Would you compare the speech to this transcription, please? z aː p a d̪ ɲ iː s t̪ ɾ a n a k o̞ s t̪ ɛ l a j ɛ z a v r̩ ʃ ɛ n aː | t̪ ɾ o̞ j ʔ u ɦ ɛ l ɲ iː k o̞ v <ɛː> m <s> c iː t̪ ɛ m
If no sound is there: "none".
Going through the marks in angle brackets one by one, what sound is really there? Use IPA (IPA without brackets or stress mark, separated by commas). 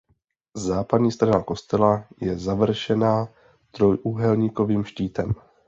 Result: iː, ʃ